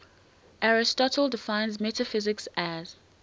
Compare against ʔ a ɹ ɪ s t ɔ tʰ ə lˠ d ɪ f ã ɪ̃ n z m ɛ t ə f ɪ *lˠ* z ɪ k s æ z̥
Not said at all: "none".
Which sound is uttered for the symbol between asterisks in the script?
none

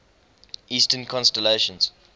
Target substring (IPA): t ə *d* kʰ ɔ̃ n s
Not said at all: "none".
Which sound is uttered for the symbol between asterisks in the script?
n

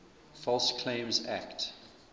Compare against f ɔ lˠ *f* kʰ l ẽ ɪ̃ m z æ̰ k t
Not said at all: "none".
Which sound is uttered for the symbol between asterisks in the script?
s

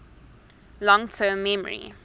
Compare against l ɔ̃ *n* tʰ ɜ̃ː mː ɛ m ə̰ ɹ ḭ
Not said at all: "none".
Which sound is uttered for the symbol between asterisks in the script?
ŋ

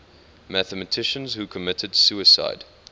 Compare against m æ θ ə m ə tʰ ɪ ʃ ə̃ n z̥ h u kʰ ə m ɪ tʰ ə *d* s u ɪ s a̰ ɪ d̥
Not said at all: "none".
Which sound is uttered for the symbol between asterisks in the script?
d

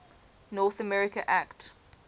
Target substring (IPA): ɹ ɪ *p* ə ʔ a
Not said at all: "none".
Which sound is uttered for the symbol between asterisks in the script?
k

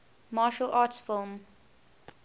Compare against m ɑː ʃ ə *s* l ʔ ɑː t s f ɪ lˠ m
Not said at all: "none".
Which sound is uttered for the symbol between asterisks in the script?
none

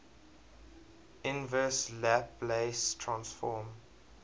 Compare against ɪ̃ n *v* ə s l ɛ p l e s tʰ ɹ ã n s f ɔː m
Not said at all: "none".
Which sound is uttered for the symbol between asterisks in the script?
v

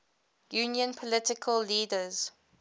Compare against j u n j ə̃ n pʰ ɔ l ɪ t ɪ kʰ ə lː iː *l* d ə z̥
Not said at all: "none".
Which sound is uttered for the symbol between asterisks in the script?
none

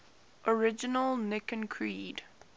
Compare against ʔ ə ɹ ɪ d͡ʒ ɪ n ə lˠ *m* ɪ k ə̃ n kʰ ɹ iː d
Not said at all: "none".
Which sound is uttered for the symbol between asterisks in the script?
n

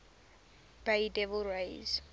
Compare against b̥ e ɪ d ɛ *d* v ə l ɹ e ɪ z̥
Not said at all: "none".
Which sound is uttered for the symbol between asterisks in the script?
none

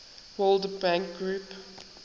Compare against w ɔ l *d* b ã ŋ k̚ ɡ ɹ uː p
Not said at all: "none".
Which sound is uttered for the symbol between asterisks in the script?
d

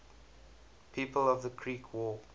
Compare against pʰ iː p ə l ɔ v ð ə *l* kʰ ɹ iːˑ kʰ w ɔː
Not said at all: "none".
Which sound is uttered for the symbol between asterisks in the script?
none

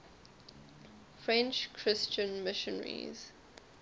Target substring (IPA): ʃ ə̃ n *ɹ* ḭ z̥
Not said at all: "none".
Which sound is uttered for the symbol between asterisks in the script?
ɹ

